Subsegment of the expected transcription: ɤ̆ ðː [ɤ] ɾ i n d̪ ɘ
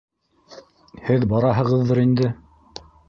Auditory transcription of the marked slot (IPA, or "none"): ɤ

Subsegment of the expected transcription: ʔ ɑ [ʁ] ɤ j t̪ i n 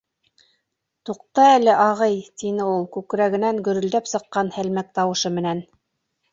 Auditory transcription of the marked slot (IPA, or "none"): ʁ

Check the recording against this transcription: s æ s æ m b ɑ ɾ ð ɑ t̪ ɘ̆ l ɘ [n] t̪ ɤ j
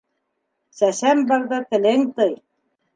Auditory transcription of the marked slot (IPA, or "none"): ŋ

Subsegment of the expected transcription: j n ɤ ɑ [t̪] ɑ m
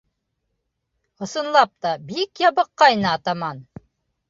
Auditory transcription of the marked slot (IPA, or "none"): t̪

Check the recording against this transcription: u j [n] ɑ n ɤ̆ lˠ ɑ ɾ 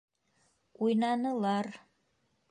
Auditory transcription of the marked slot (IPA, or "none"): n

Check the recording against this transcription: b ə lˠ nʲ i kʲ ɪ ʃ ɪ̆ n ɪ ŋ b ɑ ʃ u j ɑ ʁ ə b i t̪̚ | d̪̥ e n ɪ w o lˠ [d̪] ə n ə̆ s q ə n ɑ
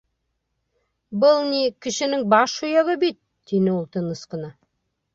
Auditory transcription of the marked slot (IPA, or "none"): t̪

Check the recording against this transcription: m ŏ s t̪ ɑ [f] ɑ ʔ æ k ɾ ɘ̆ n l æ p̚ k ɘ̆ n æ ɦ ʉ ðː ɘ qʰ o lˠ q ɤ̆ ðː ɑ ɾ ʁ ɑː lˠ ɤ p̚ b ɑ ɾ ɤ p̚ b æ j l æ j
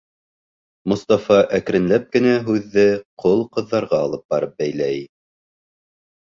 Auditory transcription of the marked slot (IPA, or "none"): f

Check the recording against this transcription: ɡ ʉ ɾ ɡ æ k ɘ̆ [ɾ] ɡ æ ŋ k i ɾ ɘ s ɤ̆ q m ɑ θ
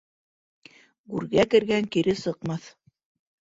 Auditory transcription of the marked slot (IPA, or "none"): ɾ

